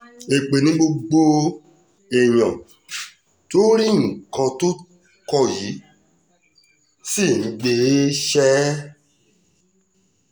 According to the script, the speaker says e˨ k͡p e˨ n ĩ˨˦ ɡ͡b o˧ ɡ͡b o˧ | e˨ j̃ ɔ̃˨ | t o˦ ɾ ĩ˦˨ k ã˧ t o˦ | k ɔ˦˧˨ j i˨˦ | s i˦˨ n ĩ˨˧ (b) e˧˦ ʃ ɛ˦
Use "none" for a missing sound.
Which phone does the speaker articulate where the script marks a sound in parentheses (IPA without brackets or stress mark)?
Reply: ɡ͡b